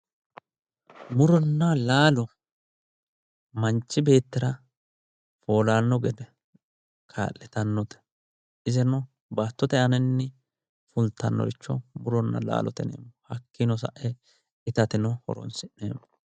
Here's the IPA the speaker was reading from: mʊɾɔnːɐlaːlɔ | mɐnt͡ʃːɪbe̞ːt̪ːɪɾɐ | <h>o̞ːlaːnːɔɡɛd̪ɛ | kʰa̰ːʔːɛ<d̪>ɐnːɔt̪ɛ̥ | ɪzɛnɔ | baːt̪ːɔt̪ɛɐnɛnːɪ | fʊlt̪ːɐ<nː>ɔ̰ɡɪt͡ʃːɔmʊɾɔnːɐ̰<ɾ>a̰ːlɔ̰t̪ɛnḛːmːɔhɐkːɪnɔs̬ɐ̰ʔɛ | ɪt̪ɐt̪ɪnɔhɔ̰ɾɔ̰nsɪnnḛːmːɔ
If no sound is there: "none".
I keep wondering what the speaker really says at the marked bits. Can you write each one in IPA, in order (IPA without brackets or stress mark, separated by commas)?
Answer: f, t̪, nː, l